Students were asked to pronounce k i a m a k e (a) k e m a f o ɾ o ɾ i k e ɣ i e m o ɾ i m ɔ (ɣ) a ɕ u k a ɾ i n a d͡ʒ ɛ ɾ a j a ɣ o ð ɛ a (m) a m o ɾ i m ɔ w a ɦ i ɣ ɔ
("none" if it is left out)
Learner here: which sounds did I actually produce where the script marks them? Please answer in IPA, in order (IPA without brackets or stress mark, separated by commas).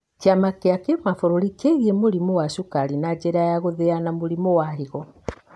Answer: a, w, n